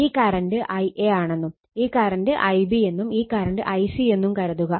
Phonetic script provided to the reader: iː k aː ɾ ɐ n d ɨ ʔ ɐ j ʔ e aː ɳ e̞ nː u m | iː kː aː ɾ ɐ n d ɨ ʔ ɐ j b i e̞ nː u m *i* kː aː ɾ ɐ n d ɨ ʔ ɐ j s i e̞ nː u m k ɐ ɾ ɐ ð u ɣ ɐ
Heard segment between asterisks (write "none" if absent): iː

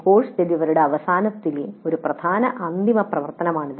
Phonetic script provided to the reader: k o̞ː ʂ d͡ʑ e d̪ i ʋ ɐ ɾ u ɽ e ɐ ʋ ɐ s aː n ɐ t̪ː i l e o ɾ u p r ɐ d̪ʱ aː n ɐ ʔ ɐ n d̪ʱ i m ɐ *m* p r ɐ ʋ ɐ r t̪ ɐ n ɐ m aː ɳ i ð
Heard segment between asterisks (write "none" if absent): none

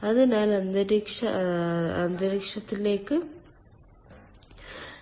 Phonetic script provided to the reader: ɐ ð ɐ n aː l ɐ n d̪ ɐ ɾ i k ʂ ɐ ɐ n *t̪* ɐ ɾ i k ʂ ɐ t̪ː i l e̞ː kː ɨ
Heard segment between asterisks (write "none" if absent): d̪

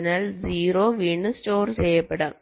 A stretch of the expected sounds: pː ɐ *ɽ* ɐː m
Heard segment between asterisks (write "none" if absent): ɽ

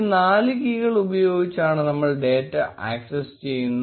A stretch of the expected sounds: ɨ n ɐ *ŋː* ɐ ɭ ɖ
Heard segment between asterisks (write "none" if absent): mː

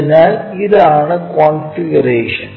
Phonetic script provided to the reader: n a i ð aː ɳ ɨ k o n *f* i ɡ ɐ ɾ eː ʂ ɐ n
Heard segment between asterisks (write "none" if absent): f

